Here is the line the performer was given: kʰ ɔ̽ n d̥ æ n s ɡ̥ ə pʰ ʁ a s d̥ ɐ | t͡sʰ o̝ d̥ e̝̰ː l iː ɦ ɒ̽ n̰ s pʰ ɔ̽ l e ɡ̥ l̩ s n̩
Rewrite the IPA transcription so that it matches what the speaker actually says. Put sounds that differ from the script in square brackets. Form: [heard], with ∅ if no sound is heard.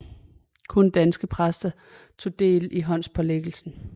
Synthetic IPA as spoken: kʰ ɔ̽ n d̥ æ n s ɡ̥ ə pʰ ʁ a s d̥ ɐ | t͡sʰ o̝ d̥ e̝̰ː l [i] ɦ ɒ̽ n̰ s pʰ [ɒ̽] l e ɡ̥ l̩ s n̩

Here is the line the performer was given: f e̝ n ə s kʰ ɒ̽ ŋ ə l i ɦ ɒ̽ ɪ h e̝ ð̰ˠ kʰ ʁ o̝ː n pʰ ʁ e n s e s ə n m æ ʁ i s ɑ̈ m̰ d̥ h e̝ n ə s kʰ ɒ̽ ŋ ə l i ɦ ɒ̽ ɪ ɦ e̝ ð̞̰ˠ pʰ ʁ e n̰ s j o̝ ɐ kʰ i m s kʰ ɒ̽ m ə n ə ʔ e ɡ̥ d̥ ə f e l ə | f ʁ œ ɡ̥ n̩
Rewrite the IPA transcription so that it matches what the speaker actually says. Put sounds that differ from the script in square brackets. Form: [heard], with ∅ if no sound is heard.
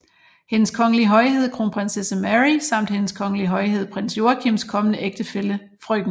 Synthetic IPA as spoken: [h] e̝ n ə s kʰ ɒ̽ ŋ ə l i ɦ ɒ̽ ɪ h e̝ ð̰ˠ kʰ ʁ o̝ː n pʰ ʁ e n s e s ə [∅] m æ ʁ i s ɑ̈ m̰ d̥ h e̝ n ə s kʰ ɒ̽ ŋ ə l i ɦ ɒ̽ ɪ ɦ e̝ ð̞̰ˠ pʰ ʁ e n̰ s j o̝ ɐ kʰ i m s kʰ ɒ̽ m ə n ə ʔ e ɡ̥ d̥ ə f e l ə | f ʁ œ ɡ̥ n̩

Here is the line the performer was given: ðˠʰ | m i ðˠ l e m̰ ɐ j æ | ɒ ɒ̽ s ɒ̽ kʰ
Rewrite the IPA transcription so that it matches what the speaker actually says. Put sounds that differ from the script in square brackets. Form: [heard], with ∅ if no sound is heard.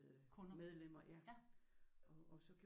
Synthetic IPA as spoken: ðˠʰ | m [e] ðˠ l e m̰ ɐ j æ | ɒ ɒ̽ s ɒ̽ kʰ

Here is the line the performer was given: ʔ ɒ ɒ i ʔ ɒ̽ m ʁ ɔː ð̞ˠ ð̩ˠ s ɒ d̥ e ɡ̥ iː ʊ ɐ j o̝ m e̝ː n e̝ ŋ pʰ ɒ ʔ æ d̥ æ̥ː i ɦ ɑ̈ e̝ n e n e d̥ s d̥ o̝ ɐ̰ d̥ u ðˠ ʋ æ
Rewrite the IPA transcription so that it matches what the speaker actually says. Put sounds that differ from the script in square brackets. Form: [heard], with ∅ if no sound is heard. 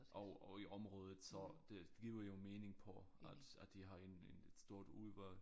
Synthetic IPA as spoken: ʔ ɒ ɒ i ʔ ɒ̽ m ʁ ɔː ð̞ˠ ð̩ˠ s ɒ d̥ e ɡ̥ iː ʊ ɐ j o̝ m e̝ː n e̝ ŋ pʰ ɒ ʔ æ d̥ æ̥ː i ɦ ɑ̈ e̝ n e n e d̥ s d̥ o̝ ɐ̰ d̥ u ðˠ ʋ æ

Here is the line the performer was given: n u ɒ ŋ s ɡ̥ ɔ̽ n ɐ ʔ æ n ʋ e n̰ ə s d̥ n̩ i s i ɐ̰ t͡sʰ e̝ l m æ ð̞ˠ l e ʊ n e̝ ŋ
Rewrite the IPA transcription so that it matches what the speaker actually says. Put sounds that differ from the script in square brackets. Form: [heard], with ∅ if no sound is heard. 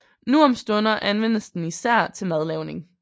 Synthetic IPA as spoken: n u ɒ [m] s [d̥] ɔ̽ n ɐ ʔ æ n ʋ e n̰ ə s d̥ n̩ i s [æ] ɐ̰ t͡sʰ e̝ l m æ ð̞ˠ l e ʊ n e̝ ŋ

